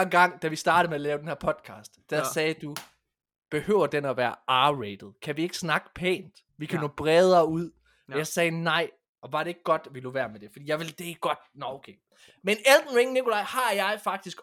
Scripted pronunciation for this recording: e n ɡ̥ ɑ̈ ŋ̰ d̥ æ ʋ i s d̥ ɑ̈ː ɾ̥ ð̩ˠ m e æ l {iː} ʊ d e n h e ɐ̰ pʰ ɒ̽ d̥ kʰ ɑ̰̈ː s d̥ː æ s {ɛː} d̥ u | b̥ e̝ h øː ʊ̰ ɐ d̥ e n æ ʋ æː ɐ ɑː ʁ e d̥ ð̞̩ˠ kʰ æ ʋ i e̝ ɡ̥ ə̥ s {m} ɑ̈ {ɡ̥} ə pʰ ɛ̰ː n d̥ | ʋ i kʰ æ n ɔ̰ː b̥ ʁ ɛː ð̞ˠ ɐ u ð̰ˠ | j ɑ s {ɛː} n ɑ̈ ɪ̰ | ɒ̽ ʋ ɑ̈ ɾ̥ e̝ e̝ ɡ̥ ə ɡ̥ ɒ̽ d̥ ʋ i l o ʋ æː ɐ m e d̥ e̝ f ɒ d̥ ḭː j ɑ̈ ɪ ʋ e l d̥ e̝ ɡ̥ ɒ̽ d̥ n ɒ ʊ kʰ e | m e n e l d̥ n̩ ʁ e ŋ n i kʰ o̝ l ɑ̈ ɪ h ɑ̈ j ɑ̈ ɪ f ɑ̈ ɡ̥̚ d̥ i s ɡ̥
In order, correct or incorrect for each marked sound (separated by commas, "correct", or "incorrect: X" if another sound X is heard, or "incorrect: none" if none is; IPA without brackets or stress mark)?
incorrect: ɛː, correct, incorrect: n, correct, correct